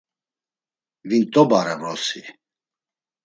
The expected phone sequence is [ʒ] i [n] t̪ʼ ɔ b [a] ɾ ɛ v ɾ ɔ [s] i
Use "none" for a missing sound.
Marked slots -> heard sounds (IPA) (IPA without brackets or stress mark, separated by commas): v, n, a, s